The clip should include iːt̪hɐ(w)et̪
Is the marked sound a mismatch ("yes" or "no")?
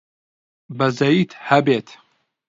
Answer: yes